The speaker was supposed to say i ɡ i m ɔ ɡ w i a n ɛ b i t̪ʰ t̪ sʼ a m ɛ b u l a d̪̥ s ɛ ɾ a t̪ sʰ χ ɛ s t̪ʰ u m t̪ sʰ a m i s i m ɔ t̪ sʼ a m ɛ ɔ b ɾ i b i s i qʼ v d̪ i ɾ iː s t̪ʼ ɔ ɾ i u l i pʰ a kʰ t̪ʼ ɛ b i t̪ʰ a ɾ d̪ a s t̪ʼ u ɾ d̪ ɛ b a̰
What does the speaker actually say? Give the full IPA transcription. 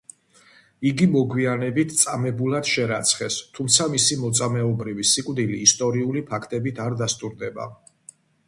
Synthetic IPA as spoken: i ɡ i m ɔ ɡ w i a n ɛ b i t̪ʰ t̪ sʼ a m ɛ b u l a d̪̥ ʃ ɛ ɾ a t̪ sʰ χ ɛ s t̪ʰ u m t̪ sʰ a m i s i m ɔ t̪ sʼ a m ɛ ɔ b ɾ i v i s i kʼ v d̪ i l iː s t̪ʼ ɔ ɾ i u l i pʰ a kʰ t̪ʼ ɛ b i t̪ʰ a ɾ d̪ a s t̪ʼ u ɾ d̪ ɛ b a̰